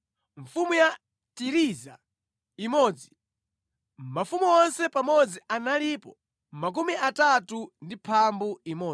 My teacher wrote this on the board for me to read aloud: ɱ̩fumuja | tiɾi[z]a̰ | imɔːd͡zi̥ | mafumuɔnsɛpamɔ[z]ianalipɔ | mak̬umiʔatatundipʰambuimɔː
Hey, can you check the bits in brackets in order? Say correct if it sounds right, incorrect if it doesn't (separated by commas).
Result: correct, incorrect